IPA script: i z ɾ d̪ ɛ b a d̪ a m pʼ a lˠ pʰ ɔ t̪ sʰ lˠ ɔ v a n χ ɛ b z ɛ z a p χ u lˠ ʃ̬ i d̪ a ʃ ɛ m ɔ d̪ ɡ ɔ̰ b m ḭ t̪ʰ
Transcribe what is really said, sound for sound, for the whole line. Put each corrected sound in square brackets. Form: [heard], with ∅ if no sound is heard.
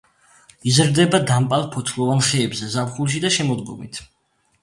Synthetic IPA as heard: i z ɾ d̪ ɛ b a d̪ a m pʼ a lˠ pʰ ɔ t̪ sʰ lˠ ɔ v a n χ [ɛː] b z ɛ z a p χ u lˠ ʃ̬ i d̪ a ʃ ɛ m ɔ d̪ ɡ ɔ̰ [∅] m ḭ t̪ʰ